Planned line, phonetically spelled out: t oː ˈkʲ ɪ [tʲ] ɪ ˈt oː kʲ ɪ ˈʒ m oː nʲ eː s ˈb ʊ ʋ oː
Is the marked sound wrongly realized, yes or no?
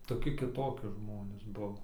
yes